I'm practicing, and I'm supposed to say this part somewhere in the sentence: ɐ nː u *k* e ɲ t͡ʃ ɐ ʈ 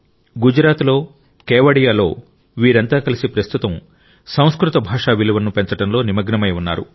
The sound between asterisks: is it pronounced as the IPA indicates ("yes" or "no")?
no